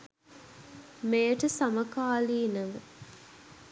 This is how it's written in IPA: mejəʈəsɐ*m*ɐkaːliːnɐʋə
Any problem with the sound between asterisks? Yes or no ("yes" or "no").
no